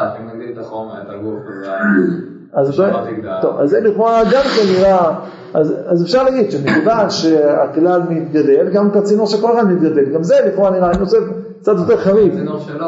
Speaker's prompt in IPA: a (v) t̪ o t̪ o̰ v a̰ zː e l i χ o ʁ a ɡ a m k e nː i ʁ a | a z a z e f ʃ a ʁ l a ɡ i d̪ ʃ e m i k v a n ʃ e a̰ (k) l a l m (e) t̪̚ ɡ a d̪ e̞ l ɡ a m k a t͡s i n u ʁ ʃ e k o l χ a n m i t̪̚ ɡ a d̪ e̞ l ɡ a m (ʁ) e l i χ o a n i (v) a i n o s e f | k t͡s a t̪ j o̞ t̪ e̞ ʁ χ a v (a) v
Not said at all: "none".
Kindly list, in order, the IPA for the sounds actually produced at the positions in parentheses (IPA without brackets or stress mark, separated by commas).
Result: z, k, i, z, ʁ, i